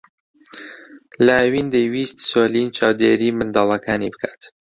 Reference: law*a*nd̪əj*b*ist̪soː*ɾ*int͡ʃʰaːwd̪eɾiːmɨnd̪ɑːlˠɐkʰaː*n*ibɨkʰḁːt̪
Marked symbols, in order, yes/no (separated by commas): no, no, no, yes